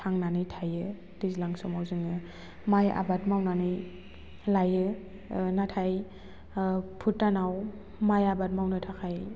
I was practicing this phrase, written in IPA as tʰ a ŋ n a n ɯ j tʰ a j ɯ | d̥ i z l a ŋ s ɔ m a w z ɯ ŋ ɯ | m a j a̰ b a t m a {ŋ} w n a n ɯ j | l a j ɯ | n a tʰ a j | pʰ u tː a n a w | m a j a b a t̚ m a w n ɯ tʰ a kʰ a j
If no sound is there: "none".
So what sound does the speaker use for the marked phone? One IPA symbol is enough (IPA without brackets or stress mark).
none